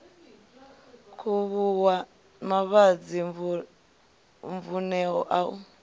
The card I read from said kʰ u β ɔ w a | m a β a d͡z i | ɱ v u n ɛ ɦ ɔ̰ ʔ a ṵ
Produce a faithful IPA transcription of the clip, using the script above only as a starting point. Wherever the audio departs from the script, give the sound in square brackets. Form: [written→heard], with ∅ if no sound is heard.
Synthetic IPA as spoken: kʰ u β [ɔ→u] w a | m a β a d͡z i | ɱ v u n ɛ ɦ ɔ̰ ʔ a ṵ